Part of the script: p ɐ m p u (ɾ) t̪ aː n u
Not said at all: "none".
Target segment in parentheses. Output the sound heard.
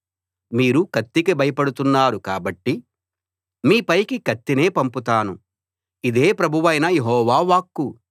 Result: none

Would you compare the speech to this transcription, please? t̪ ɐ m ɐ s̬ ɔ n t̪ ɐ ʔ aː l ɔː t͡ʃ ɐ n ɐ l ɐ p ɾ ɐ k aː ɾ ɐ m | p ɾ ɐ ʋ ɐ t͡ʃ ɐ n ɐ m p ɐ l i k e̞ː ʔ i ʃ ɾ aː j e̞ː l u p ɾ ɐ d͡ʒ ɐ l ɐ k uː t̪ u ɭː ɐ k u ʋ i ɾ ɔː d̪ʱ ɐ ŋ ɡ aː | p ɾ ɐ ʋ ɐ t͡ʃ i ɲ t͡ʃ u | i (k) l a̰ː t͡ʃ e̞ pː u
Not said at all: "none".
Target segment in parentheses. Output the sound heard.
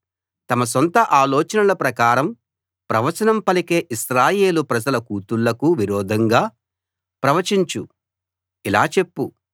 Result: none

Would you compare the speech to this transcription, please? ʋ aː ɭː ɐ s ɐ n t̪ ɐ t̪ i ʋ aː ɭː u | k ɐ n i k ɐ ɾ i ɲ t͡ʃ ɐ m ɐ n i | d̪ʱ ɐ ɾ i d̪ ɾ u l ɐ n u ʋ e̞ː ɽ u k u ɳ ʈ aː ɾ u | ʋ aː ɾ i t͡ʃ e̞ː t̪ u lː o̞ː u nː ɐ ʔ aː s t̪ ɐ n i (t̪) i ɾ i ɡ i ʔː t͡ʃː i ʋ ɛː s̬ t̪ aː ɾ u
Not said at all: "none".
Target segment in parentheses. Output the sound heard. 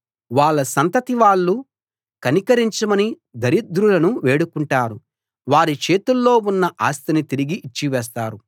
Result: t̪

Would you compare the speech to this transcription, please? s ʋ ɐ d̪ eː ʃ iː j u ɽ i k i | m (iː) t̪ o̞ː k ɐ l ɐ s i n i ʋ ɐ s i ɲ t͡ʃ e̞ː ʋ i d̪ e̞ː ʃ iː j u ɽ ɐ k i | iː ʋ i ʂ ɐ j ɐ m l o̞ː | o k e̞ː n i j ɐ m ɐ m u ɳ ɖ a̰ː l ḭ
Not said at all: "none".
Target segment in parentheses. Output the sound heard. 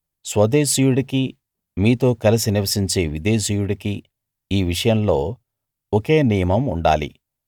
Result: iː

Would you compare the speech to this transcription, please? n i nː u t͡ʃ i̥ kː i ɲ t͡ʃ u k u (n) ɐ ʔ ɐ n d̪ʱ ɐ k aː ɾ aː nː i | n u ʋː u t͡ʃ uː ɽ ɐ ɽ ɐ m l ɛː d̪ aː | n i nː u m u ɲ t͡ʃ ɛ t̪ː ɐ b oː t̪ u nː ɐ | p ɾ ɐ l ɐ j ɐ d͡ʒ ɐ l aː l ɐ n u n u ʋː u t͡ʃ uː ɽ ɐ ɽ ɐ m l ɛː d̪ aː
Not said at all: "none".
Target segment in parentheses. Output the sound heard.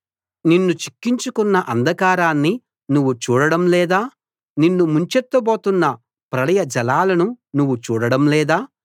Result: nː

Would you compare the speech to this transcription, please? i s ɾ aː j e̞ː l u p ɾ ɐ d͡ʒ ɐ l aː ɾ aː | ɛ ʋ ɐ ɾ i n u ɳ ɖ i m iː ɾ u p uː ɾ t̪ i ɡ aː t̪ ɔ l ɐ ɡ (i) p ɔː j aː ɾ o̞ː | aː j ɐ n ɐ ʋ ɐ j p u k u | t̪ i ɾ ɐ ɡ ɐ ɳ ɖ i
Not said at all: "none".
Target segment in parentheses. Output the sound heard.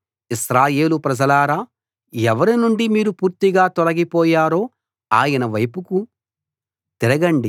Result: i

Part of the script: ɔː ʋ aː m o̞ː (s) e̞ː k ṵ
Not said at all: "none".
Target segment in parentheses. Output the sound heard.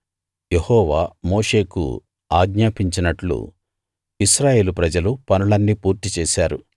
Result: ʂ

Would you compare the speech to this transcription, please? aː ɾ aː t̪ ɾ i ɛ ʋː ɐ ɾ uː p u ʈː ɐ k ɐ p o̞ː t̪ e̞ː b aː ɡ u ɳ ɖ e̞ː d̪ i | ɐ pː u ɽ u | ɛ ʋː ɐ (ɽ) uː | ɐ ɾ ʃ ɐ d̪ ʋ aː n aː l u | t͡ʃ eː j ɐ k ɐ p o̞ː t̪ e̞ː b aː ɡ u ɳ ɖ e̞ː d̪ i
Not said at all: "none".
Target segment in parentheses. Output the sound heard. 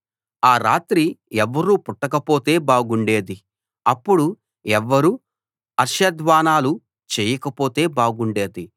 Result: ɾ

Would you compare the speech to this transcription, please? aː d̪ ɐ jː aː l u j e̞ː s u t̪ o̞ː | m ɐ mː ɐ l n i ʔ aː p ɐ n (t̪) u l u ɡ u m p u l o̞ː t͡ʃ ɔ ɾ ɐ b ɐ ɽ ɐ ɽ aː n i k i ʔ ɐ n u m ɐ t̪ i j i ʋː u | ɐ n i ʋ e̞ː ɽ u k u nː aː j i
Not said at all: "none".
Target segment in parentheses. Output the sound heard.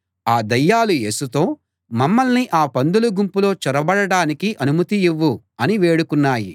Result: d̪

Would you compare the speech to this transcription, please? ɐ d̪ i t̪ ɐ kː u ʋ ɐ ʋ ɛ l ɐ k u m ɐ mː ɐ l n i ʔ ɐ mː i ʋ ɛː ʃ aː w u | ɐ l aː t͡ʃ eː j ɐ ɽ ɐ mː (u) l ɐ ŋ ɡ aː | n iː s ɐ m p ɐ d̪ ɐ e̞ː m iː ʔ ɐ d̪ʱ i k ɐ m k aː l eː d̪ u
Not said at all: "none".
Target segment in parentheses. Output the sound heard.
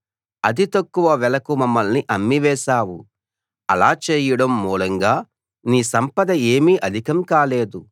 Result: uː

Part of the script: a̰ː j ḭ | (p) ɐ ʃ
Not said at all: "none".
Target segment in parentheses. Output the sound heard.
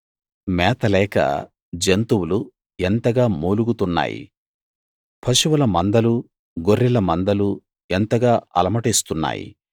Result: pʰ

